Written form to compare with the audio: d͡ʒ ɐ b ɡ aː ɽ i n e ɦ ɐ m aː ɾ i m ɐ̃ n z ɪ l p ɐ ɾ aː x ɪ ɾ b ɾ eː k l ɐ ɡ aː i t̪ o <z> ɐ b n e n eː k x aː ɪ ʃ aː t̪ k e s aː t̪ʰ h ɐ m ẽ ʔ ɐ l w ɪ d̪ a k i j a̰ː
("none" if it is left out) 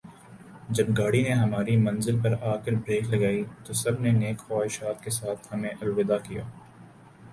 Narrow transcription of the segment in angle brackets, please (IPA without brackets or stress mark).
s